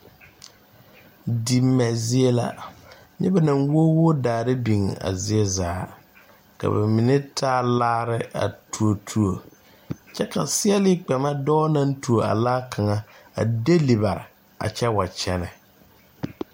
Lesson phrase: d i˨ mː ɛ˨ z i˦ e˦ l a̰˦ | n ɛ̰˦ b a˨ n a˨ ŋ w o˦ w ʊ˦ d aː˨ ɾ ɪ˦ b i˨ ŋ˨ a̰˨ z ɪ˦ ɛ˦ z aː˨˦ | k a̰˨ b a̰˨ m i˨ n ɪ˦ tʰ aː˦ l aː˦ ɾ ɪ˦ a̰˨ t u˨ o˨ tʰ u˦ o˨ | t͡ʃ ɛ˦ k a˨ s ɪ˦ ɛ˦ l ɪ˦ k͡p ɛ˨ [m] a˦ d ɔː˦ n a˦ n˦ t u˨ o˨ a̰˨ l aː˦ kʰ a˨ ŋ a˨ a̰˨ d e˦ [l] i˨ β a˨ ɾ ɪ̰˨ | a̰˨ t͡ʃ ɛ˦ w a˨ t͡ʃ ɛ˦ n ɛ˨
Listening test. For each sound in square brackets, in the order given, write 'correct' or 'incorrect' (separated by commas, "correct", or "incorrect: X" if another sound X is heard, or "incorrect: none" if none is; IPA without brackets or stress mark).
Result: correct, correct